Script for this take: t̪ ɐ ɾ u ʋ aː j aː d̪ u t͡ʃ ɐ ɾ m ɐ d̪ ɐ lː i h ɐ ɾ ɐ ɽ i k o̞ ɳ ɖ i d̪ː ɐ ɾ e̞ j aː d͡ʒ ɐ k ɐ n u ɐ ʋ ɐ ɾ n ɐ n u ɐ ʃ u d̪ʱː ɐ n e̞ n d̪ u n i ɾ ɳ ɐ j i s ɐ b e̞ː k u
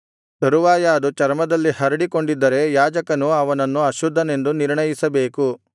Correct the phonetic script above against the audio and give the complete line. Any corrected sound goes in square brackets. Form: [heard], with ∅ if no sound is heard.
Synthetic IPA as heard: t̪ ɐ ɾ u ʋ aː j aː d̪ u t͡ʃ ɐ ɾ m ɐ d̪ ɐ lː i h ɐ ɾ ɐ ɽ i k o̞ ɳ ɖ i d̪ː ɐ ɾ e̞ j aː d͡ʒ ɐ k ɐ n u ɐ ʋ ɐ [∅] n ɐ [nː] u ɐ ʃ u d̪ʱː ɐ n e̞ n d̪ u n i ɾ ɳ ɐ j i s ɐ b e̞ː k u